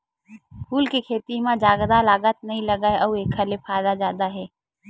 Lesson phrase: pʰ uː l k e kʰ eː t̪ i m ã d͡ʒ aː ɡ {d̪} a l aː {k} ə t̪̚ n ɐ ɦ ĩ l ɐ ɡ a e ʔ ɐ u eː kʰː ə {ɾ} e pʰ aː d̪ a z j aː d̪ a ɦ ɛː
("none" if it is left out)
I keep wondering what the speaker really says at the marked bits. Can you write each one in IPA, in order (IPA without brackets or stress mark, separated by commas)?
d̪, ɡ, l